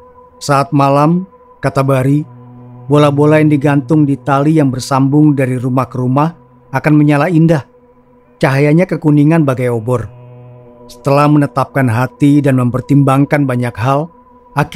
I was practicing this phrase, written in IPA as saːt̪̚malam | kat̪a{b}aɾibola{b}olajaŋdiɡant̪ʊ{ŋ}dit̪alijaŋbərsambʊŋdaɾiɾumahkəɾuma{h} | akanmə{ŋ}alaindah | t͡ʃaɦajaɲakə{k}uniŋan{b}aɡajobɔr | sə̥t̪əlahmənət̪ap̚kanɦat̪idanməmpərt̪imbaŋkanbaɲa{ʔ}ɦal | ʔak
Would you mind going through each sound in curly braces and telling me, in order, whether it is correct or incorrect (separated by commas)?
correct, correct, correct, correct, incorrect, correct, correct, incorrect